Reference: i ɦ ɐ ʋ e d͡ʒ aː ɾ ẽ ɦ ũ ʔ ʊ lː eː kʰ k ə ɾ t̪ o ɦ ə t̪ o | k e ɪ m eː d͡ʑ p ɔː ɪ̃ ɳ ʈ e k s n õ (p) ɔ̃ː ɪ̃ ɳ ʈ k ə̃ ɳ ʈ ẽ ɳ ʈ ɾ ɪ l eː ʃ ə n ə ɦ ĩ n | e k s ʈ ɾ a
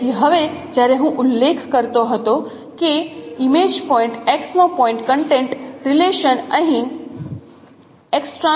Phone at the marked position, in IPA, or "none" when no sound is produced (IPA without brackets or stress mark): p